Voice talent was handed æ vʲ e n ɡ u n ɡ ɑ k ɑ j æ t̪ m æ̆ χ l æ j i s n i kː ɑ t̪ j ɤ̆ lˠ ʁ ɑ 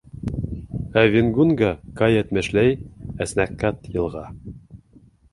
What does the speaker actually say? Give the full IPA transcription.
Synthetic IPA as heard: æ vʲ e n ɡ u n ɡ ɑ k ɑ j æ t̪ m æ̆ ʃ l æ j æ s n æ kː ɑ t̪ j ɤ̆ lˠ ʁ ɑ